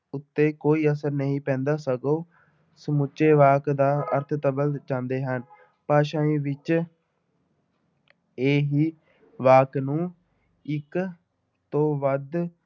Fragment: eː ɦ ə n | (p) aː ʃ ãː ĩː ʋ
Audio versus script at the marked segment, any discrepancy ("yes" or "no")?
no